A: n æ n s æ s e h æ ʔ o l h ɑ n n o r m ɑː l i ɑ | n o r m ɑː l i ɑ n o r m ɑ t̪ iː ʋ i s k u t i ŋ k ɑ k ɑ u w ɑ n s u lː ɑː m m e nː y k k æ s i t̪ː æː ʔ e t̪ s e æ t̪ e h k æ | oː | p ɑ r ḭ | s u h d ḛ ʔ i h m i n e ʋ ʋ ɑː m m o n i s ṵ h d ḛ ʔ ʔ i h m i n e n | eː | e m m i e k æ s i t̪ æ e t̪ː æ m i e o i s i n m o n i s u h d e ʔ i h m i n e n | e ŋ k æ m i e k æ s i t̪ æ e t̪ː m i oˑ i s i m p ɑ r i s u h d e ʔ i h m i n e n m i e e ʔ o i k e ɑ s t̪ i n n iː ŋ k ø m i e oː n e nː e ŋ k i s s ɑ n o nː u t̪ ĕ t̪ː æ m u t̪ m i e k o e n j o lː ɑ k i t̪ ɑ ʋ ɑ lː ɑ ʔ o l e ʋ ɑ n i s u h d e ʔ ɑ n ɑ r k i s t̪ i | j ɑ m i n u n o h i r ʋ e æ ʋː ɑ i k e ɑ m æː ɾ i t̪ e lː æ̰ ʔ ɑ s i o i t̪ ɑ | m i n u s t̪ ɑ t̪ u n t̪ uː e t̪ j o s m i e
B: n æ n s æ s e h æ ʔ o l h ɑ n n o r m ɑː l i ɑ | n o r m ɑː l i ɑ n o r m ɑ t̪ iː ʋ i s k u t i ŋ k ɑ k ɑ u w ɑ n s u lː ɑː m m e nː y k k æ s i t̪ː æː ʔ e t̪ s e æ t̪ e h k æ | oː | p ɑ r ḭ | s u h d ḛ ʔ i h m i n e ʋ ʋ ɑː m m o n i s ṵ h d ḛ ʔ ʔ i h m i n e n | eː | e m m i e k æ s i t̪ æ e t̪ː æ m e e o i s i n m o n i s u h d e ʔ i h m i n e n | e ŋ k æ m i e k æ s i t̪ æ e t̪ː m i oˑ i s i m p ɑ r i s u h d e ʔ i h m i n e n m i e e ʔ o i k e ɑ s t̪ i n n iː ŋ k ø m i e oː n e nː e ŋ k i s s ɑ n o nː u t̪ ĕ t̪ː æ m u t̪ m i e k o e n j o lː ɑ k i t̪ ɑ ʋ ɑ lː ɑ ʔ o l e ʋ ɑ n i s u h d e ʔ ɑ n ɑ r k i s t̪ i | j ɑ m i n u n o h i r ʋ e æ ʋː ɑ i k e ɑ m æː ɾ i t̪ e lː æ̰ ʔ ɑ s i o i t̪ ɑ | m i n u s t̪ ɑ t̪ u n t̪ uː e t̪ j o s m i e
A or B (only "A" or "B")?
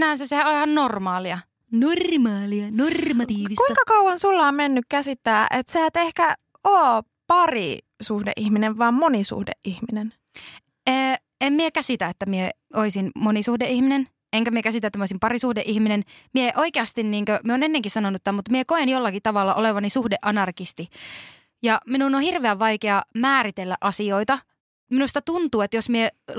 A